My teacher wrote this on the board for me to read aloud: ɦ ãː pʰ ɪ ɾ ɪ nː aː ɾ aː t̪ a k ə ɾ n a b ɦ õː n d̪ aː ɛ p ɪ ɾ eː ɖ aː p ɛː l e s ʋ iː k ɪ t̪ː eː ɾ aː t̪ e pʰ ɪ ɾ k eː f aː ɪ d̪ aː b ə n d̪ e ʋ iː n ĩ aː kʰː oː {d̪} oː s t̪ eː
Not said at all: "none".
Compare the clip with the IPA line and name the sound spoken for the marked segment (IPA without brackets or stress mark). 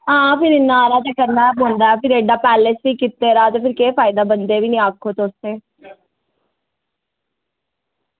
t̪